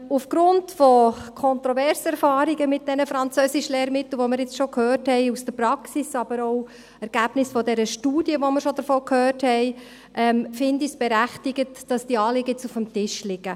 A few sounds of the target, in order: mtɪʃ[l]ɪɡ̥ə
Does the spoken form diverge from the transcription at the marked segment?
no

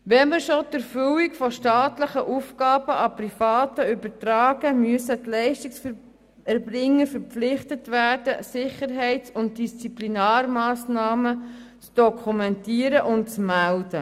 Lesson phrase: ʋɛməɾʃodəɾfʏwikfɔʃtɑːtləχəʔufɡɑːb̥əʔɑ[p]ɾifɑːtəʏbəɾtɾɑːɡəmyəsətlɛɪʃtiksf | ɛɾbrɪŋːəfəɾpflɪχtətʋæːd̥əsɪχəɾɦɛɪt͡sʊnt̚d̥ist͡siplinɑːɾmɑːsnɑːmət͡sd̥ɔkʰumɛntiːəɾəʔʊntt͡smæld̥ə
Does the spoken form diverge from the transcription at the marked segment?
no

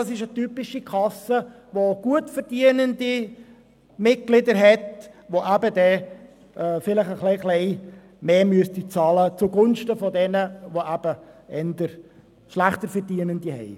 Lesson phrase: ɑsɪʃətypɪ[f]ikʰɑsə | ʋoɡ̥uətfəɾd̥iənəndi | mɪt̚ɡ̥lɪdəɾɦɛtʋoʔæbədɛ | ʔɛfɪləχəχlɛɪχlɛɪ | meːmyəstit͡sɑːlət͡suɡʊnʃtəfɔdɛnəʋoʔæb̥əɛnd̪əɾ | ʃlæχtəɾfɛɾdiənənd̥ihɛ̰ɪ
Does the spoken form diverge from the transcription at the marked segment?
yes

